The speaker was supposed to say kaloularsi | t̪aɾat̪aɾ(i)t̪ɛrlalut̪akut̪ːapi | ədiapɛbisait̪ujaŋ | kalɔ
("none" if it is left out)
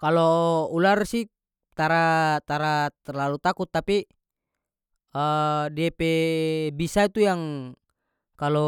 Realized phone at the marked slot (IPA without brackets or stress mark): a